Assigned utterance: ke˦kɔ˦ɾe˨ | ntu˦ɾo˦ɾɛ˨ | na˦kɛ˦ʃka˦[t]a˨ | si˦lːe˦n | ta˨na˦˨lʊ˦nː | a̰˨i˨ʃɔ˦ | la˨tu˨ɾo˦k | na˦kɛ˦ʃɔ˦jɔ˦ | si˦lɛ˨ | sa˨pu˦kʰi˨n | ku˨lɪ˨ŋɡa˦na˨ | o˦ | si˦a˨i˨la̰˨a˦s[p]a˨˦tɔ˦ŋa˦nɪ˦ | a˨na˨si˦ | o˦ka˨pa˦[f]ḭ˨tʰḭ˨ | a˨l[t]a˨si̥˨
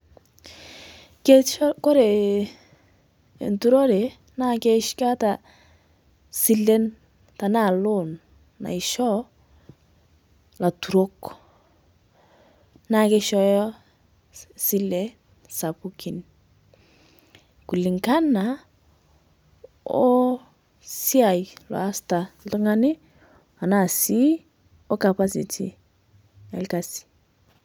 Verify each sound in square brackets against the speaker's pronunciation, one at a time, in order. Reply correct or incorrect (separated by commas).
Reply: correct, incorrect, incorrect, incorrect